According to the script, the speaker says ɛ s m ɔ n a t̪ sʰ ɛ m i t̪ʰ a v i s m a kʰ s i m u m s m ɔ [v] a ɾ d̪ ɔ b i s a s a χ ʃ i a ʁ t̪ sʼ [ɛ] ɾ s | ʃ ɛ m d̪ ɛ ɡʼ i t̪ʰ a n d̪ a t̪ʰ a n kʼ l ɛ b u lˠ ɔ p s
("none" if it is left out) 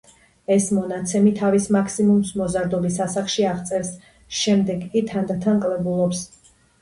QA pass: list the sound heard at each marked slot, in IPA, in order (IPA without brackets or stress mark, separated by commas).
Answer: z, ɛ